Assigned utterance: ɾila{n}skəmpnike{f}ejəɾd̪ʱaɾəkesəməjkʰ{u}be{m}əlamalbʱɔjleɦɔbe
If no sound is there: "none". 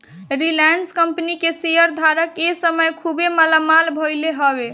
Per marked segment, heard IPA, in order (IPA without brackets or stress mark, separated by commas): n, s, u, m